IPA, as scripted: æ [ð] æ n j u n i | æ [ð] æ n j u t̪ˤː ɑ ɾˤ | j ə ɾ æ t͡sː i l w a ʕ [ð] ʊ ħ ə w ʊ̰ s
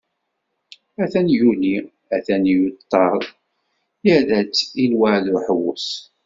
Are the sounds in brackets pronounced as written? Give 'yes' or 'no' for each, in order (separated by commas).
no, no, yes